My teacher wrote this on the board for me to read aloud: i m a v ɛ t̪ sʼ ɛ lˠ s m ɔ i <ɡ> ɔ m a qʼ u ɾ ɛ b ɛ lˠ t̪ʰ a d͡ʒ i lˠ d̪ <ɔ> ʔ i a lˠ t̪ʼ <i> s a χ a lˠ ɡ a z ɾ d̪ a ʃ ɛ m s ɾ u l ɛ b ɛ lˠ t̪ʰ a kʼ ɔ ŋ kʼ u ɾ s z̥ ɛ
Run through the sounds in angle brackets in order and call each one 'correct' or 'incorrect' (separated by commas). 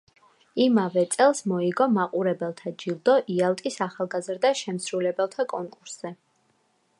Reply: correct, correct, correct